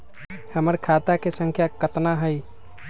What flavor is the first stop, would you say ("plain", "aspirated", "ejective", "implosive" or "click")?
aspirated